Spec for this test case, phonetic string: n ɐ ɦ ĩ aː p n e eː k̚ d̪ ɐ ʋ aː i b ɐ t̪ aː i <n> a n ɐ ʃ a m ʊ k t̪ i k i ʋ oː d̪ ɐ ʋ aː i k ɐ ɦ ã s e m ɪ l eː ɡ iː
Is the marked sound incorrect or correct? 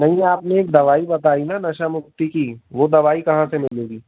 correct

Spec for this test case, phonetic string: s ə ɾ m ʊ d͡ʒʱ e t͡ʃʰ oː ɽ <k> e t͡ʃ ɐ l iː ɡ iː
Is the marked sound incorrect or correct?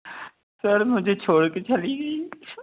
correct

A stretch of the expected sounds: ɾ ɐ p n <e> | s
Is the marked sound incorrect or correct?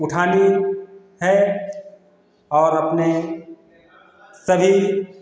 correct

